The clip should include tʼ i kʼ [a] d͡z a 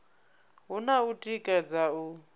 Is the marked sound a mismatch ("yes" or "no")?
no